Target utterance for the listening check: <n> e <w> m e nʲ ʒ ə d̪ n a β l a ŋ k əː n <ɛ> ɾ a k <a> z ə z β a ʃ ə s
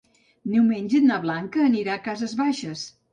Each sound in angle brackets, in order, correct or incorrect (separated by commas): correct, correct, incorrect, correct